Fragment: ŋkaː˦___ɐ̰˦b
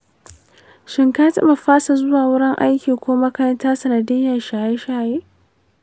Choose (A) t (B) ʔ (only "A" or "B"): A